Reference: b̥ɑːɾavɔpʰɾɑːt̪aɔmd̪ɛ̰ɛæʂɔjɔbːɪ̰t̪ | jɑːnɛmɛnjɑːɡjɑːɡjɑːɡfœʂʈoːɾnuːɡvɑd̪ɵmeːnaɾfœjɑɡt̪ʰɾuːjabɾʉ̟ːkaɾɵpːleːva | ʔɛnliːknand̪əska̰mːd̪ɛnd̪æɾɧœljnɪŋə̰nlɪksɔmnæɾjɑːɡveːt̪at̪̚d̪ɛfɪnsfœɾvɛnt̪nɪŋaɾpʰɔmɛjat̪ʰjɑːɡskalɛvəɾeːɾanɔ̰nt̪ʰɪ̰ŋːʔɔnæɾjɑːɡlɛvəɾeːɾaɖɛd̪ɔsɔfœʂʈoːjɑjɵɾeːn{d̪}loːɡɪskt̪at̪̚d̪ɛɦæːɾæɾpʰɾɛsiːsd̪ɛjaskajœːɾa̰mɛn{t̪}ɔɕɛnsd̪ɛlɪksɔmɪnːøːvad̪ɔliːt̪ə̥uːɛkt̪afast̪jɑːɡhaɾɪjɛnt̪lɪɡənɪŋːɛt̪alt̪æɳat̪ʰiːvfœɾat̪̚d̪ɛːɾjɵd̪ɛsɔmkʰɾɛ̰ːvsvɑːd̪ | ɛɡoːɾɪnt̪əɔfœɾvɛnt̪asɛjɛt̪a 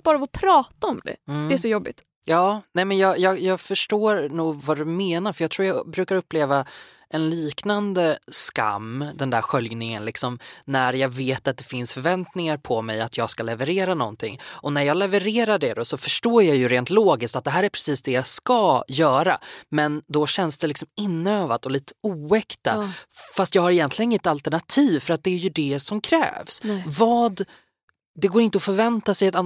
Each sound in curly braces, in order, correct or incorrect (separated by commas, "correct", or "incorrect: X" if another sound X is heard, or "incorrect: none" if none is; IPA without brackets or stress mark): incorrect: t̪, incorrect: d̪